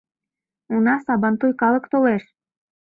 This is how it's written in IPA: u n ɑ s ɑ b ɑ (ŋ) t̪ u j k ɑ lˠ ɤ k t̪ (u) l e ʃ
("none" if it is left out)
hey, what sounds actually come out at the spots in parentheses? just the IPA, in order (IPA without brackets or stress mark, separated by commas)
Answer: n, o